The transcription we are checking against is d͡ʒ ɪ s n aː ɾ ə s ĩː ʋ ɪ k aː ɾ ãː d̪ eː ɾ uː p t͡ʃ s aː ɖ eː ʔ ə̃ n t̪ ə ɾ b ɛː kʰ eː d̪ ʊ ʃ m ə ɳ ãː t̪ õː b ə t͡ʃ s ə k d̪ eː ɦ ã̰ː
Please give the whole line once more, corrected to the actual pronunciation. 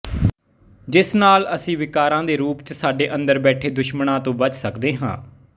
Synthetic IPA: d͡ʒ ɪ s n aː l ə s ĩː ʋ ɪ k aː ɾ ãː d̪ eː ɾ uː p t͡ʃ s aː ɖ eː ʔ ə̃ n d̪ ə ɾ b ɛː ʈʰ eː d̪ ʊ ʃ m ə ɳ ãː t̪ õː b ə t͡ʃ s ə k d̪ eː ɦ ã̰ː